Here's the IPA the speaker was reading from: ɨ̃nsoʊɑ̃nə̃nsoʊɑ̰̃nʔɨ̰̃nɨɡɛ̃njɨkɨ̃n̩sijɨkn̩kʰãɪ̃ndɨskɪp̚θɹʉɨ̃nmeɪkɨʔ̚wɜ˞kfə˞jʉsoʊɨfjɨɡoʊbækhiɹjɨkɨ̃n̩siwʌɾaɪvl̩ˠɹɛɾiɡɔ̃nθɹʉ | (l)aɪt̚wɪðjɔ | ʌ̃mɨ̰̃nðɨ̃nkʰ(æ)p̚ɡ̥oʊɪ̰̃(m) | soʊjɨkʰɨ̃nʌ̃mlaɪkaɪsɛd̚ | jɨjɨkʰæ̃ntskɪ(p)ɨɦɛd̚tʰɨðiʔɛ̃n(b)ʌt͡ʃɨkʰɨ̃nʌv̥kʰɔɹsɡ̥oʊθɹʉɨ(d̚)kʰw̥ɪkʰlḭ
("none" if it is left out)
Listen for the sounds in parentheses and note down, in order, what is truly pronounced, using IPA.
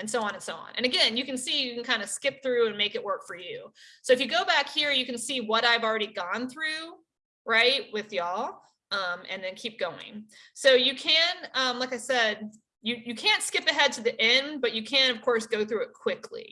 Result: ɹ, i, ŋ, p, b, t̚

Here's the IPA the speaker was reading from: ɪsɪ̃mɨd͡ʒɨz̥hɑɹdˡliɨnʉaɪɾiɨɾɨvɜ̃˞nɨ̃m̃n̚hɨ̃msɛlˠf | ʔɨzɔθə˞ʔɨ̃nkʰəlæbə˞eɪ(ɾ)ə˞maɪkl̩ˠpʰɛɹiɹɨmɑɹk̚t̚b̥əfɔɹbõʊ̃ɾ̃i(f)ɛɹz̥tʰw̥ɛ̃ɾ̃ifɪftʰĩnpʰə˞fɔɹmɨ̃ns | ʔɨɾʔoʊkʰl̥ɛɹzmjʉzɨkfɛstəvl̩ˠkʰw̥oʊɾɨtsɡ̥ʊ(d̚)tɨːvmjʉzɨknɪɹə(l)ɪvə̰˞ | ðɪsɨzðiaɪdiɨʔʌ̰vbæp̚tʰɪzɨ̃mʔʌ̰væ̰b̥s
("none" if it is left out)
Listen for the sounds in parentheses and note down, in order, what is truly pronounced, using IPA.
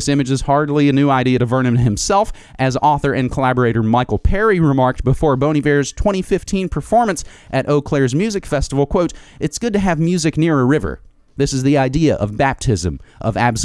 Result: ɾ, v, d̚, ɹ

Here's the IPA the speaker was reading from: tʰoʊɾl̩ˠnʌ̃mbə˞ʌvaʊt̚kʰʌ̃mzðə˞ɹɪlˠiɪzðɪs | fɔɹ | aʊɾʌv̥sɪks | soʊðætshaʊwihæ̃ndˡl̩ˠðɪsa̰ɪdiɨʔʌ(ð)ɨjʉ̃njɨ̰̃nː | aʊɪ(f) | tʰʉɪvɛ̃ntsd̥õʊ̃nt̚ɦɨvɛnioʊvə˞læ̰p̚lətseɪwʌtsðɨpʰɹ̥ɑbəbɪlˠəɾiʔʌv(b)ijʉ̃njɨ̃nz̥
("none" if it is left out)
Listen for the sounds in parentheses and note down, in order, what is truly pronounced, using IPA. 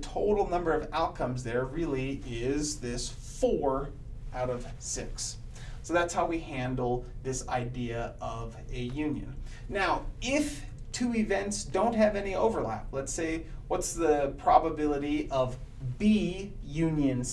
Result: v, f, b

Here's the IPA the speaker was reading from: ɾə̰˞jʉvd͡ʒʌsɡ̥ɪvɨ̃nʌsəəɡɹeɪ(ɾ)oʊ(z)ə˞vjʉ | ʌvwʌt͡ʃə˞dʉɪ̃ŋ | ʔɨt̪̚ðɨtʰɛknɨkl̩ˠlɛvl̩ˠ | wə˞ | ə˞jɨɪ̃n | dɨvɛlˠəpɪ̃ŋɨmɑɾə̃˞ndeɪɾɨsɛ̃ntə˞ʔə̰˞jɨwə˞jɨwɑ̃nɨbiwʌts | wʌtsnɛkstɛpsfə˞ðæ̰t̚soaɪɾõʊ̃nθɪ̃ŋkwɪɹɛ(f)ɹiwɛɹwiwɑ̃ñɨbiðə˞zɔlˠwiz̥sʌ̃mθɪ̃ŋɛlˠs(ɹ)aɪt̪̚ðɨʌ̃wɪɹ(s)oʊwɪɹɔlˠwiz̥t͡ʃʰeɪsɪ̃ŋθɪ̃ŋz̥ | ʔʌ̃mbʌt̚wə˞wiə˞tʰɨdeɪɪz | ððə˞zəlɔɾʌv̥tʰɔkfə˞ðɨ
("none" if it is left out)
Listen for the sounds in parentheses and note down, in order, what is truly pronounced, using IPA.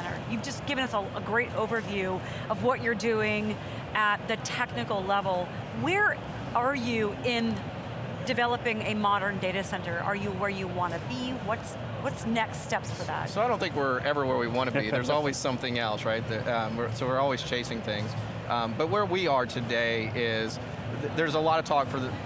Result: ɾ, v, v, ɹ, s

